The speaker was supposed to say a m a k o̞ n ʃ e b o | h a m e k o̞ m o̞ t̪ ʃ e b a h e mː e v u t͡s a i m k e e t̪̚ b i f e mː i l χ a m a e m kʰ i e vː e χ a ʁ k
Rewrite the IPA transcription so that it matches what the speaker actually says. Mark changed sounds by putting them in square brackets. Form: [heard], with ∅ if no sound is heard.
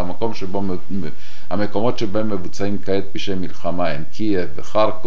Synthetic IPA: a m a k o̞ [m] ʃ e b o | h a m e k o̞ m o̞ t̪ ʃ e b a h e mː e v u t͡s a i m k [a] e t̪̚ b i [ʃ] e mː i l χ a m a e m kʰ i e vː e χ a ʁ k